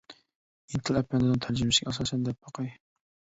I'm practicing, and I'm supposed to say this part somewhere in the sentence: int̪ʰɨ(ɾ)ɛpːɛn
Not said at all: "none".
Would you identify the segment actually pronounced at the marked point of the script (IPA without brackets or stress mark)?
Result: l